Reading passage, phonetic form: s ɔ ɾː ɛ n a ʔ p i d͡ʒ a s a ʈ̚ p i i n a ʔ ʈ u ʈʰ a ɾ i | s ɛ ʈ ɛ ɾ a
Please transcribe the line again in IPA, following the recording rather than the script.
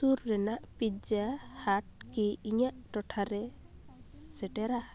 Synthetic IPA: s u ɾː ɛ n a ʔ p i d͡ʒ a h a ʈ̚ k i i ɲ a ʔ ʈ ɔ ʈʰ a ɾ ɛ | s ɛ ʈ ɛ ɾ a